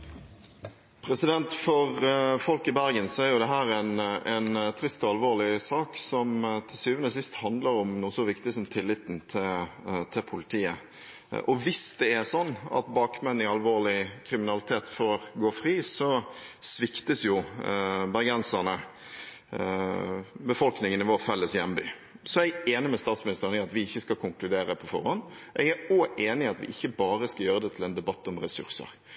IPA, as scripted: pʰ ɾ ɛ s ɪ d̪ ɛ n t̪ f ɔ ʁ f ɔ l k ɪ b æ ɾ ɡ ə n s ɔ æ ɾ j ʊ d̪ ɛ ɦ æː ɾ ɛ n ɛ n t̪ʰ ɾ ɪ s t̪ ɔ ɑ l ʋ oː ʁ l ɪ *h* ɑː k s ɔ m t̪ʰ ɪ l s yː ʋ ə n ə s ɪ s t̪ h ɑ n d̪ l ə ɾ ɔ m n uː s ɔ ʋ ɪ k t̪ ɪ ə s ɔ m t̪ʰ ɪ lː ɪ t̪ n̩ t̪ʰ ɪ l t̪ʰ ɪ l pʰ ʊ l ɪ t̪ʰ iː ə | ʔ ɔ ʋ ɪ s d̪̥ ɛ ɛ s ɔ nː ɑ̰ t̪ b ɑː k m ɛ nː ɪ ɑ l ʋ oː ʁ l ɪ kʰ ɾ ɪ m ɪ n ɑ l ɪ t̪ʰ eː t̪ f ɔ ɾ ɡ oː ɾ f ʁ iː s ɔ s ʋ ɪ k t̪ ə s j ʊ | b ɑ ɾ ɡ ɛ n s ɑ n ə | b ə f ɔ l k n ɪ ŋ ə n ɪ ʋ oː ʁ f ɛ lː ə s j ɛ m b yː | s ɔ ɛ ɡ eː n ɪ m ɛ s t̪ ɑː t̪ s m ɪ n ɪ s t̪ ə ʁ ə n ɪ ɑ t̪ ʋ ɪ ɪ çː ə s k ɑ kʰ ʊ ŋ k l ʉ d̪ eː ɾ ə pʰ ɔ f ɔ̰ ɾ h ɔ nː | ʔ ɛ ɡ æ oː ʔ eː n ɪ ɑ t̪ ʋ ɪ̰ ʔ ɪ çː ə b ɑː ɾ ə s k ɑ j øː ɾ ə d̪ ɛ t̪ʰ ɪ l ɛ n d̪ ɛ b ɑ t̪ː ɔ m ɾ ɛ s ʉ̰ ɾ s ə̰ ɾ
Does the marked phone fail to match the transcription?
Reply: yes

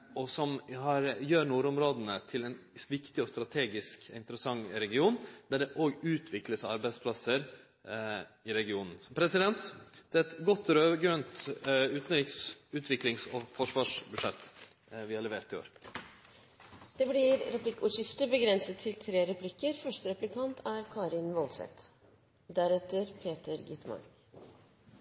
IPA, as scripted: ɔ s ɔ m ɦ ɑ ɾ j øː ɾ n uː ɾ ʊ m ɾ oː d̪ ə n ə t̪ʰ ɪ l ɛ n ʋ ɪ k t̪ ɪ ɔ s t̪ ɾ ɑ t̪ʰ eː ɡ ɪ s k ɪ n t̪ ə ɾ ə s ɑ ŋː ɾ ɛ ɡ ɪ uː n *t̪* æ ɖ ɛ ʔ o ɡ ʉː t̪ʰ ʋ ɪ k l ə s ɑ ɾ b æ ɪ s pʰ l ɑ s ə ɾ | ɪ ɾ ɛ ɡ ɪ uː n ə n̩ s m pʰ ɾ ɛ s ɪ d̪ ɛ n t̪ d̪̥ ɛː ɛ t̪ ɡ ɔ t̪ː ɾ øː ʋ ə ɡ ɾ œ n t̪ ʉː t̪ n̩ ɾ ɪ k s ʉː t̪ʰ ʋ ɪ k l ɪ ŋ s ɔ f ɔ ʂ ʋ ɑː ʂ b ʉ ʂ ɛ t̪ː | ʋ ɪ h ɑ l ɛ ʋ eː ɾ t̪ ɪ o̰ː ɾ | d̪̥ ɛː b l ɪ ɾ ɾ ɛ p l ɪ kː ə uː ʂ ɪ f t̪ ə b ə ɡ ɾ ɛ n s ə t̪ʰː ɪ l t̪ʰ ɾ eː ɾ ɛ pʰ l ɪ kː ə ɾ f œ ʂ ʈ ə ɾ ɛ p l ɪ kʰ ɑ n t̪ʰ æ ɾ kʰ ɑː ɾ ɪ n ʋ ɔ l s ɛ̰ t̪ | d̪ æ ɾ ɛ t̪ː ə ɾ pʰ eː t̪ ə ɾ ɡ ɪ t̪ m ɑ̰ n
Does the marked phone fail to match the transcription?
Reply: yes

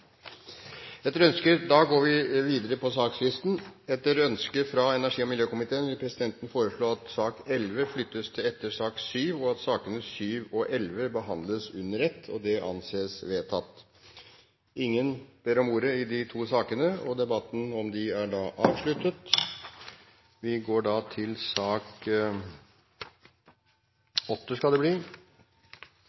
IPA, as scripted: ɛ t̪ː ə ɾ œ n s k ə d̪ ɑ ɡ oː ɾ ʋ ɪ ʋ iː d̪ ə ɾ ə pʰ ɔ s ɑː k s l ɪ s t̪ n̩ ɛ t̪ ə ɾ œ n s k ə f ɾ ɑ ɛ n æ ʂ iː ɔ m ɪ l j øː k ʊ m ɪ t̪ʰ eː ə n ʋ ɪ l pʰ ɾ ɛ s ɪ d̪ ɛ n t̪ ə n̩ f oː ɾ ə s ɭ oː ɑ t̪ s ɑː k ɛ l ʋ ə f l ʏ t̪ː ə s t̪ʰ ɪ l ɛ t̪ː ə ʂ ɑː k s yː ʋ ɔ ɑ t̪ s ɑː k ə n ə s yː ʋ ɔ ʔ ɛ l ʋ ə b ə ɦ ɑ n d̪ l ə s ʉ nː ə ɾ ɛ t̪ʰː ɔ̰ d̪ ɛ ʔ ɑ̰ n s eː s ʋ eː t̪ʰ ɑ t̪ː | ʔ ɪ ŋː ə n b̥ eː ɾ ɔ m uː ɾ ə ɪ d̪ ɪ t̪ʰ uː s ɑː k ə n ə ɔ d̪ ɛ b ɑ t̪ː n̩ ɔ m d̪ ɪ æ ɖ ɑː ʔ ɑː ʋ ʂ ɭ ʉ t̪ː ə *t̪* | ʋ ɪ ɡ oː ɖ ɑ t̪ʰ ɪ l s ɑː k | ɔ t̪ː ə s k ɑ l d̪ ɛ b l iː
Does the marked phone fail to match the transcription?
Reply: no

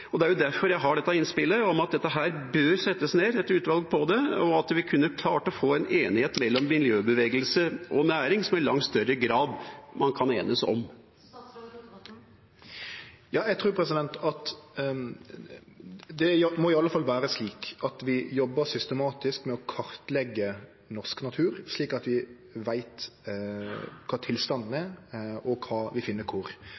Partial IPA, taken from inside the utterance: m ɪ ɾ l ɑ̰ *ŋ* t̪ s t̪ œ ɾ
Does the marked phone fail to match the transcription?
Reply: no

